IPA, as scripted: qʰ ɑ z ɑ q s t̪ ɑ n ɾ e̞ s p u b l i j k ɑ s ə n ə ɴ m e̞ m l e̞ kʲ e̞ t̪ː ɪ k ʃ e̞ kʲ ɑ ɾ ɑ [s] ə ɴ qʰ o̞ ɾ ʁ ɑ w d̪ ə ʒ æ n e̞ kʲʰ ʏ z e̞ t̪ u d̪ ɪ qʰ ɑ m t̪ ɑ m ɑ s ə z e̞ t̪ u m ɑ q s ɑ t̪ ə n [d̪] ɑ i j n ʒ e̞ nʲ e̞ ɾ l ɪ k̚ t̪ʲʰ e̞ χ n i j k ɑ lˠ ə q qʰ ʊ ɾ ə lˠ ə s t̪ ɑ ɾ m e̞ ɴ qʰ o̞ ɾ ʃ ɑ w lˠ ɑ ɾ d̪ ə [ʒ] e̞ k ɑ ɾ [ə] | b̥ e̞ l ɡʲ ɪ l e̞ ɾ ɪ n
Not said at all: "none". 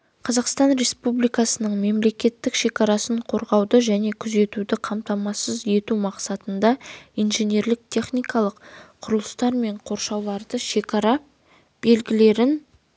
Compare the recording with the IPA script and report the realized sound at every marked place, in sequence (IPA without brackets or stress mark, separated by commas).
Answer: s, d̪, ʃ, ɑ